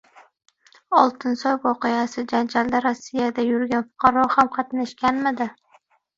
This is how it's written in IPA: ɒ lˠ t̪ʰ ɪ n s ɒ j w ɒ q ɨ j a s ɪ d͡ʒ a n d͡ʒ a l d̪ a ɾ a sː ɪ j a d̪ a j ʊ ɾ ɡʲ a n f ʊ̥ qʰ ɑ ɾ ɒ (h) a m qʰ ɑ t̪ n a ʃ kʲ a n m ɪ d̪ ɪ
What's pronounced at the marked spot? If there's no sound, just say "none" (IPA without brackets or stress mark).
h